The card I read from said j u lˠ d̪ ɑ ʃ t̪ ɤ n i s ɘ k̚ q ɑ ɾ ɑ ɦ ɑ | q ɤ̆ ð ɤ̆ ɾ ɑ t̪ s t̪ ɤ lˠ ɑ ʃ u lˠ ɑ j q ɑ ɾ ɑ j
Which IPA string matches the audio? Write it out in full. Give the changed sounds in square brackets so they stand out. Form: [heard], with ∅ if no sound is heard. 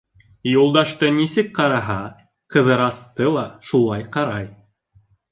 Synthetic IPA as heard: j u lˠ d̪ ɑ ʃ t̪ ɤ n i s ɘ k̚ q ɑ ɾ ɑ ɦ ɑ | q ɤ̆ ð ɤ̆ ɾ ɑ [∅] s t̪ ɤ lˠ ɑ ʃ u lˠ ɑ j q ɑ ɾ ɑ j